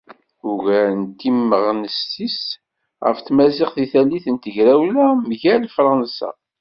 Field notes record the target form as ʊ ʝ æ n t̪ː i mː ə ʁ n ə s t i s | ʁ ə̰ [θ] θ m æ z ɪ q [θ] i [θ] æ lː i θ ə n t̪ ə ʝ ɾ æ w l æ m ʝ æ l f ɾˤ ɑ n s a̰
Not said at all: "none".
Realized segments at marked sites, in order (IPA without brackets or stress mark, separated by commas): f, θ, θ